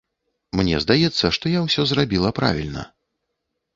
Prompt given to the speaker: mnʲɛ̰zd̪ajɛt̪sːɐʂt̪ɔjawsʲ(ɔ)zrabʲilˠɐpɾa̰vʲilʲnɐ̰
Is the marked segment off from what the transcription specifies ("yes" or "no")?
no